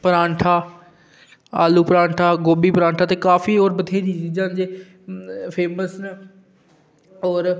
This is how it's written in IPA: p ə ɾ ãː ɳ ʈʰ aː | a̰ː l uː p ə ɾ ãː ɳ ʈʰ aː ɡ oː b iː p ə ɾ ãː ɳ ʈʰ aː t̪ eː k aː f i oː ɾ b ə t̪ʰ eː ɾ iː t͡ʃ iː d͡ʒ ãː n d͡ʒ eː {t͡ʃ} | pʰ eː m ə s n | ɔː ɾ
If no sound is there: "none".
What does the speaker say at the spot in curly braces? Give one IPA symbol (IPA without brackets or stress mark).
none